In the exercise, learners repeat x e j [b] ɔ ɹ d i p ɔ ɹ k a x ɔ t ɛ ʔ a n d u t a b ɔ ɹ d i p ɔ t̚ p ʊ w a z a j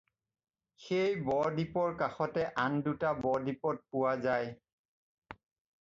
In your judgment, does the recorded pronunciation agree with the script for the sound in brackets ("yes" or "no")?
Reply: yes